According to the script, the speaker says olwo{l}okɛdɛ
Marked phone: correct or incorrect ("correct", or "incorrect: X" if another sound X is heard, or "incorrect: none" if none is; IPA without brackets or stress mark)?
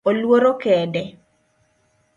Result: incorrect: ɾ